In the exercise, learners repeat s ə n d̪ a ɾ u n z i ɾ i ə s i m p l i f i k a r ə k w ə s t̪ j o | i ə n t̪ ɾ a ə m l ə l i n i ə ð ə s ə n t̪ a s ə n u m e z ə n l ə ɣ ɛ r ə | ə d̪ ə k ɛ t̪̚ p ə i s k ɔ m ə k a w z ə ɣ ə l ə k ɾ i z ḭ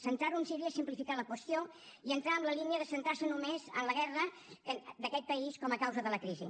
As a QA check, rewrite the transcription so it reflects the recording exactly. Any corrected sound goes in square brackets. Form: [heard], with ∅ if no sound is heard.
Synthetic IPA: s ə n [t̪] a ɾ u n [s] i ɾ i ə s i m p l i f i k a [l] ə k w ə s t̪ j o | i ə n t̪ ɾ a ə m l ə l i n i ə ð ə s ə n t̪ a s ə n u m e z ə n l ə ɣ ɛ r ə | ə d̪ ə k ɛ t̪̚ p ə i s k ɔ m ə k a w z ə [ð] ə l ə k ɾ i z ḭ